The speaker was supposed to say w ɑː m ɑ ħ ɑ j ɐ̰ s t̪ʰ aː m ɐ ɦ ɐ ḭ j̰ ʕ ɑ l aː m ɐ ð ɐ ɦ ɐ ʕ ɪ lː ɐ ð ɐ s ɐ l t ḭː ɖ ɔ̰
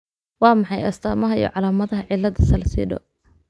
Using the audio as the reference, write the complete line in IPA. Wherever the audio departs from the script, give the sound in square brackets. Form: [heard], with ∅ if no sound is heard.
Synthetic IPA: w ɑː m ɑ ħ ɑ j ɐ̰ s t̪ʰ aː m ɐ ɦ ɐ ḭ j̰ ʕ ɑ l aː m ɐ ð ɐ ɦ ɐ ʕ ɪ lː ɐ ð ɐ s ɐ l [s] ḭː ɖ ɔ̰